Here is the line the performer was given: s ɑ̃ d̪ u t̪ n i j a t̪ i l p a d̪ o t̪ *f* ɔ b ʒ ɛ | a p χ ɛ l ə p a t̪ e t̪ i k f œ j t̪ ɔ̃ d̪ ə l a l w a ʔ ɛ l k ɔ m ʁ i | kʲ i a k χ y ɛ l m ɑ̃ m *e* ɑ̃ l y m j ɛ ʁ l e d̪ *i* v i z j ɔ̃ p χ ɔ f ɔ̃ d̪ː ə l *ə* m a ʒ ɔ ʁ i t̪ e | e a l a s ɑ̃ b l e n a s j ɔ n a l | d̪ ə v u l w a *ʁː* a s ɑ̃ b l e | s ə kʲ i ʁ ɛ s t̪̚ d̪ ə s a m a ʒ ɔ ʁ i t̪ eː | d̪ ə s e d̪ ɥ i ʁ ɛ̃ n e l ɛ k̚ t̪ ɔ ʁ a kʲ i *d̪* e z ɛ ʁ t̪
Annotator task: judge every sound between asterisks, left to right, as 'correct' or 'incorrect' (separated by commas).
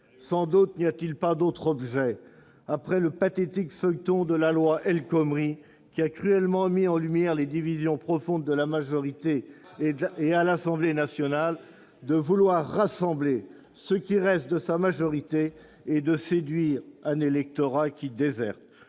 incorrect, incorrect, correct, incorrect, correct, correct